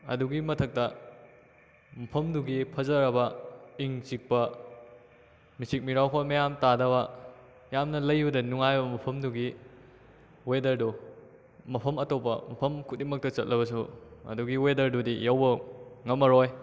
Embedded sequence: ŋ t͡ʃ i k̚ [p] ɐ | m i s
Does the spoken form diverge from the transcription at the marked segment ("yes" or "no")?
no